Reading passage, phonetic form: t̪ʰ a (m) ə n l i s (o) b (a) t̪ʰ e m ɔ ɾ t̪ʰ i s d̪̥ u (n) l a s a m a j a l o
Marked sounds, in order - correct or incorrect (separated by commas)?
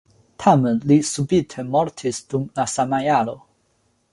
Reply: correct, incorrect, incorrect, incorrect